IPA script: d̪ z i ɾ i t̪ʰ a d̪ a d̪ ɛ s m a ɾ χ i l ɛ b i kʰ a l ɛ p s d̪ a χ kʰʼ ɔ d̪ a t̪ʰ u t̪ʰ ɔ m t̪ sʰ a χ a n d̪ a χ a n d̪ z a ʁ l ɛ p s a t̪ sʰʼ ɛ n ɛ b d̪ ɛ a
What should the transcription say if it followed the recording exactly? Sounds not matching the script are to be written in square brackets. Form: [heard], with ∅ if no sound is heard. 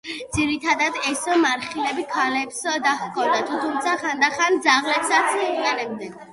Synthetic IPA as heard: d̪ z i ɾ i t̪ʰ a d̪ a d̪ ɛ s m a ɾ χ i l ɛ b i kʰ a l ɛ p s d̪ a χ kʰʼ ɔ d̪ a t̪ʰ u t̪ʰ [u] m t̪ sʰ a χ a n d̪ a χ a n d̪ z a ʁ l ɛ p s a t̪ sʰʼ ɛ n ɛ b d̪ ɛ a